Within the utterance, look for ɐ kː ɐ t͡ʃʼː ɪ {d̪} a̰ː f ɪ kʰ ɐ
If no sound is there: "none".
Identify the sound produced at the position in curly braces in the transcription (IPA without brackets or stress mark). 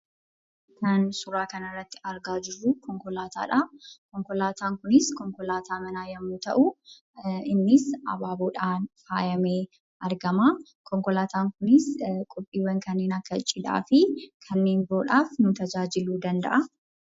d̪